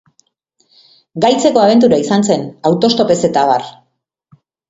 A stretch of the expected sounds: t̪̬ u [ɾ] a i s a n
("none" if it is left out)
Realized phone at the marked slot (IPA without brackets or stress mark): ɾ